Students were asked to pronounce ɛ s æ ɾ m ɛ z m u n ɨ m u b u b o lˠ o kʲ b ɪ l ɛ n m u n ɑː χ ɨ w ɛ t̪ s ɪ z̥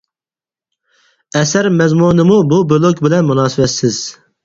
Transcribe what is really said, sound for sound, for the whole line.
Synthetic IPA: ɛ s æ ɾ m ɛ z m u n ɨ m u b u b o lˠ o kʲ b ɪ l ɛ n m u n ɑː s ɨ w ɛ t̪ s ɪ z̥